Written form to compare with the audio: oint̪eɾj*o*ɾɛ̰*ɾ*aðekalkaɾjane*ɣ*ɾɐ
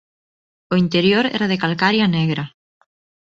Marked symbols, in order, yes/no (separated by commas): yes, yes, yes